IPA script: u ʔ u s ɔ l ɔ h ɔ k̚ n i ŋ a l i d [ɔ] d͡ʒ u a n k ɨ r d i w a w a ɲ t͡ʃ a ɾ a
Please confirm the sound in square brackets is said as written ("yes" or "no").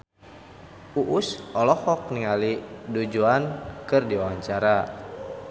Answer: no